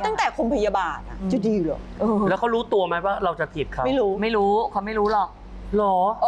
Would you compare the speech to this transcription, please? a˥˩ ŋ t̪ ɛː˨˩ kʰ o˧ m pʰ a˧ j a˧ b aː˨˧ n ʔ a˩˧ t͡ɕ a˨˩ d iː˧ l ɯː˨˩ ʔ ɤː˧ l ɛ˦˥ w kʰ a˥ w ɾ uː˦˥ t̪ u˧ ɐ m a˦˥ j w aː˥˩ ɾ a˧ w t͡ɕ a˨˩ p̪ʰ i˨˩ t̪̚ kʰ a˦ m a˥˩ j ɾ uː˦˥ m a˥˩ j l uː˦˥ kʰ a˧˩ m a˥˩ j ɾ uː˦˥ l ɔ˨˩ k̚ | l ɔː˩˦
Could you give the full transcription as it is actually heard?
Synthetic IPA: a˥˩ ŋ t̪ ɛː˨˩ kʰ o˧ m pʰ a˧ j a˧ b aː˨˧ n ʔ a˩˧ t͡ɕ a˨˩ d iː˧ l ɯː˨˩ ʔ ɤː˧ l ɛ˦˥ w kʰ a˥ w ɾ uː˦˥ t̪ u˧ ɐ m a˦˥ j w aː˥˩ ɾ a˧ w t͡ɕ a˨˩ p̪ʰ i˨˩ t̪̚ kʰ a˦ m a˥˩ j ɾ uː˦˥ m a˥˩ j ɾ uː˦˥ kʰ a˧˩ m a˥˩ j ɾ uː˦˥ l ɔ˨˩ k̚ | l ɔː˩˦

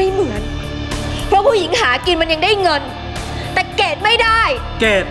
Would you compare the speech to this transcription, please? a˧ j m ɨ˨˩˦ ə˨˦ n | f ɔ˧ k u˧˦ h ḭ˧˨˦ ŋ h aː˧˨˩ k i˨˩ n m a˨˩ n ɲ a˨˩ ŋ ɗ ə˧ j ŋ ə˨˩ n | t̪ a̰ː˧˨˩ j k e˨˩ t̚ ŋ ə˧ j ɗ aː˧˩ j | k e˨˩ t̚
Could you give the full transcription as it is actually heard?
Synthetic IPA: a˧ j m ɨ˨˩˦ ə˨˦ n | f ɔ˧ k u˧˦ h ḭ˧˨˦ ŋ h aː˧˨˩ k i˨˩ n m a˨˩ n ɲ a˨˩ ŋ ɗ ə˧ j ŋ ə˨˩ n | t̪ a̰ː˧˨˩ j k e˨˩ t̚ m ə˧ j ɗ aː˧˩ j | k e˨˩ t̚

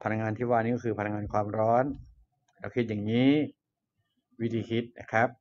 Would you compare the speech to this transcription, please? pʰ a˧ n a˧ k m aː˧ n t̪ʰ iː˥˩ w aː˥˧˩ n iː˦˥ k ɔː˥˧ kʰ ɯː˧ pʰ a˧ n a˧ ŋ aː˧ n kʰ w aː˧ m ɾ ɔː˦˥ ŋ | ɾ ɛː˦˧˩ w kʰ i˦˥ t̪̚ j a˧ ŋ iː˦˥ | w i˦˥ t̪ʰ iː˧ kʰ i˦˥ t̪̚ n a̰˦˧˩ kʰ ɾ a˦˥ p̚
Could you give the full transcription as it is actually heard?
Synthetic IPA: pʰ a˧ n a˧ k ŋ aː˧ n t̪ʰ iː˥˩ w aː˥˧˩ n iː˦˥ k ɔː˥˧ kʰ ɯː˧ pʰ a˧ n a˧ ŋ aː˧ n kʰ w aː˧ m ɾ ɔː˦˥ n | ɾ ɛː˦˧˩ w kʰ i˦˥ t̪̚ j a˨˩ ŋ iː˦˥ | w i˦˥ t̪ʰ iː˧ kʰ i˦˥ t̪̚ n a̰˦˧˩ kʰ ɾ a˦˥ p̚

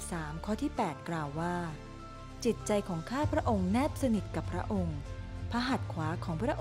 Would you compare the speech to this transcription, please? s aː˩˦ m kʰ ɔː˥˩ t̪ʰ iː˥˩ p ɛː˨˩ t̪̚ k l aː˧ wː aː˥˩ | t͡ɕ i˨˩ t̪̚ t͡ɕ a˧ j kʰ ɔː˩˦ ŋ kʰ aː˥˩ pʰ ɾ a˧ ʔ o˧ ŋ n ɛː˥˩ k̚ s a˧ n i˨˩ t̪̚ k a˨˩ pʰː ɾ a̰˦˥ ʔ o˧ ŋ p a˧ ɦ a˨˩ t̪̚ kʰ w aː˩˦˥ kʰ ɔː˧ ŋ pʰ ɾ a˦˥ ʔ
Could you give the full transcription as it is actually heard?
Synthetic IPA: s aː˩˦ m kʰ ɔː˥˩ t̪ʰ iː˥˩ p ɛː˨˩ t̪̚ k l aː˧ wː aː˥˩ | t͡ɕ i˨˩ t̪̚ t͡ɕ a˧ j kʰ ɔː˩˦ ŋ kʰ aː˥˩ pʰ ɾ a˦˥ ʔ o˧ ŋ n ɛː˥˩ p̚ s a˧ n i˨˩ t̪̚ k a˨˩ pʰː ɾ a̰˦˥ ʔ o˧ ŋ pʰ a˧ ɦ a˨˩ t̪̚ kʰ w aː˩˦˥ kʰ ɔː˩˦ ŋ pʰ ɾ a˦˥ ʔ

